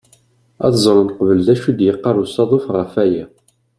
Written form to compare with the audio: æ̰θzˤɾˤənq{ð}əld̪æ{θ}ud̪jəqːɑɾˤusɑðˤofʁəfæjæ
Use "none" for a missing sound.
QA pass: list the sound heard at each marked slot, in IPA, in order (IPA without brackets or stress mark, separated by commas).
v, ʃ